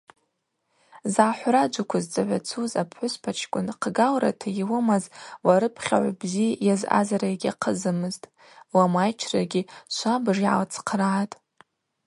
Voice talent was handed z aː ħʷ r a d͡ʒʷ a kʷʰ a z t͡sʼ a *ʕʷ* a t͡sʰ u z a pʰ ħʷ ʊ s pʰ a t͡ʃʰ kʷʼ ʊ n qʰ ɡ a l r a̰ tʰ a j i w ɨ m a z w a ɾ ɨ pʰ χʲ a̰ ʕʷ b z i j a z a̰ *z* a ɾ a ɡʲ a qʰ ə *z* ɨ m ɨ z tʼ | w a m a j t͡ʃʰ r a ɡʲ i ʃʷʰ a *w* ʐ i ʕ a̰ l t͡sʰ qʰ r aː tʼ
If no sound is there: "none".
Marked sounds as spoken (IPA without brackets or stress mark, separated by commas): ʕʷ, z, z, b